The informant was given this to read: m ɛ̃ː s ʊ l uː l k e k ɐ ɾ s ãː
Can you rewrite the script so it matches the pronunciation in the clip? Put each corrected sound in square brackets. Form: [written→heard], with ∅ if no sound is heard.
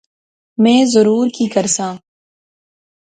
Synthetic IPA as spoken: m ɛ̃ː [s→z] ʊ [l→ɾ] uː [l→ɾ] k [e→i] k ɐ ɾ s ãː